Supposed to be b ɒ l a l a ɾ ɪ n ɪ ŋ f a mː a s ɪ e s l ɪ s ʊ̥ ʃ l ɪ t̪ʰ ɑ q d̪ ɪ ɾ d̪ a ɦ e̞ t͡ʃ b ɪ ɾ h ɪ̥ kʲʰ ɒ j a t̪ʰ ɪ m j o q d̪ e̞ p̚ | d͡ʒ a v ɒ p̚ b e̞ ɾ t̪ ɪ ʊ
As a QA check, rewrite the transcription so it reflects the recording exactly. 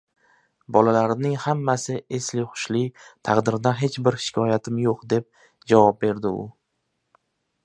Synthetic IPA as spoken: b ɒ l a l a ɾ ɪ n ɪ ŋ h a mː a s ɪ e s l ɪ χ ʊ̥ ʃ l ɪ t̪ʰ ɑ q d̪ ɪ ɾ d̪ a ɦ e̞ t͡ʃ b ɪ ɾ ʃ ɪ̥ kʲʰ ɒ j a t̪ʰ ɪ m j o q d̪ e̞ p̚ | d͡ʒ a v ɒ p̚ b e̞ ɾ d̪ ɪ ʊ